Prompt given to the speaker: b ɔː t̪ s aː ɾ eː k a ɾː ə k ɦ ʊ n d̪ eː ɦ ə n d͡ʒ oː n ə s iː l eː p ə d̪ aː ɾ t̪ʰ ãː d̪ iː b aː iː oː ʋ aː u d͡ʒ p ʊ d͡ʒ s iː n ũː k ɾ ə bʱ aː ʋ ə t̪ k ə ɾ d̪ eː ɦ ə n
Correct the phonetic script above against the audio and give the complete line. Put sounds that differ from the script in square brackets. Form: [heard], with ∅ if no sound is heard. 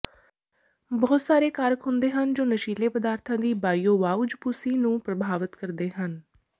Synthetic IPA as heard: b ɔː t̪ s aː ɾ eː k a [ɾ] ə k ɦ ʊ n d̪ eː ɦ ə n d͡ʒ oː n ə [ʃ] iː l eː p ə d̪ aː ɾ t̪ʰ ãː d̪ iː b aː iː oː ʋ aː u d͡ʒ p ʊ [∅] s iː n ũː [p] ɾ ə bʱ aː ʋ ə t̪ k ə ɾ d̪ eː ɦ ə n